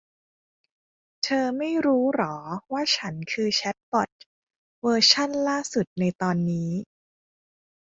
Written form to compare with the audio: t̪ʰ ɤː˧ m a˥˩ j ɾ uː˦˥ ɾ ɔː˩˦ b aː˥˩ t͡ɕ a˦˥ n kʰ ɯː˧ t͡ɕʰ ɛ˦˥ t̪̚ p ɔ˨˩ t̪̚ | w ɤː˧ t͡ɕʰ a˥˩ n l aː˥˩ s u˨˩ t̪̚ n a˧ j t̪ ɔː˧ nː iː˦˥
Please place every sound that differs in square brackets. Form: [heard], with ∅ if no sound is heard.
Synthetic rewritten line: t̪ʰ ɤː˧ m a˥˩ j ɾ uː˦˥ ɾ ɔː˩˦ [w] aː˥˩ [t͡ɕʰ] a˦˥ n kʰ ɯː˧ t͡ɕʰ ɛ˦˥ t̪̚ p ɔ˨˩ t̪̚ | w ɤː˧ t͡ɕʰ a˥˩ n l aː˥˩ s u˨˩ t̪̚ n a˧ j t̪ ɔː˧ nː iː˦˥